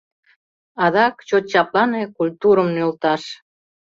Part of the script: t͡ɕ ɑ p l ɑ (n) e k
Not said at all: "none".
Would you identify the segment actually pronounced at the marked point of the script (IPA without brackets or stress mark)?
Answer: n